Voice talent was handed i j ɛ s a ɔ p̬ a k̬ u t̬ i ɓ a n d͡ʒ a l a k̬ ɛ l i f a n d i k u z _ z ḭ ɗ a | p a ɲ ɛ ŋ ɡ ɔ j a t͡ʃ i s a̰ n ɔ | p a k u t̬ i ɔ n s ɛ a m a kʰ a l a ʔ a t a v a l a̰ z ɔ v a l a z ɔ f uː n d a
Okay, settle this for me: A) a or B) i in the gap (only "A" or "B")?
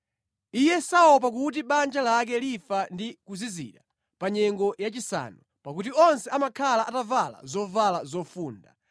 B